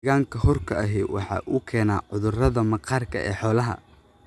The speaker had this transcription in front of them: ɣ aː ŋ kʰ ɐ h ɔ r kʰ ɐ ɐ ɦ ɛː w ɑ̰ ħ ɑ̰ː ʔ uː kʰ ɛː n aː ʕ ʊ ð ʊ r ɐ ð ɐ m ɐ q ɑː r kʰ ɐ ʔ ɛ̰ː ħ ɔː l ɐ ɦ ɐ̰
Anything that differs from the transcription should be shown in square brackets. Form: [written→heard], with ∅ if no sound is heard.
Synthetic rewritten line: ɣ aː ŋ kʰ ɐ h ɔ r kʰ ɐ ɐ ɦ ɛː w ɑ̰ ħ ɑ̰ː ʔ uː kʰ ɛː n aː ʕ ʊ ð ʊ r ɐ ð ɐ m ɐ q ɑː r kʰ ɐ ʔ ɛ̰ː ħ ɔː l ɐ ɦ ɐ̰